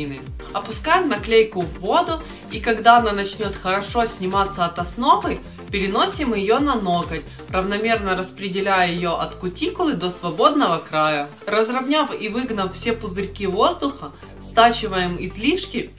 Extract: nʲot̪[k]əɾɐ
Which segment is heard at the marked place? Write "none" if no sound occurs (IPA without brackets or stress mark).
x